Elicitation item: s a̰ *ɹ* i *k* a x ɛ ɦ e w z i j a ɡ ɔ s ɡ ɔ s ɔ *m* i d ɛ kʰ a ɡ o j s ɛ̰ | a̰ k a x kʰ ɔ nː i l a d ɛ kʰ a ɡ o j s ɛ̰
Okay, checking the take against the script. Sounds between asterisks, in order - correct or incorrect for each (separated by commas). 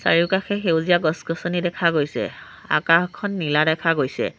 correct, correct, incorrect